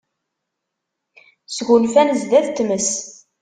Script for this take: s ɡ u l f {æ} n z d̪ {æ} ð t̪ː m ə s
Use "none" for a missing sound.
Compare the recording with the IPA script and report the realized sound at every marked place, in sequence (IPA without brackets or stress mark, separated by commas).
æ, æ